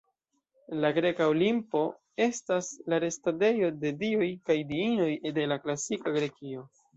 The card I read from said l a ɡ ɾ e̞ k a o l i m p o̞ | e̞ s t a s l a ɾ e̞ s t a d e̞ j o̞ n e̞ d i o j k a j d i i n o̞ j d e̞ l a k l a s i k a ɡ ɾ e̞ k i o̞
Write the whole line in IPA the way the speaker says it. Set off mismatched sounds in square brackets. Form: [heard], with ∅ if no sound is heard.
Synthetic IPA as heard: l a ɡ ɾ e̞ k a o l i m p o̞ | e̞ s t a s l a ɾ e̞ s t a d e̞ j o̞ [d] e̞ d i o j k a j d i i n o̞ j d e̞ l a k l a s i k a ɡ ɾ e̞ k i o̞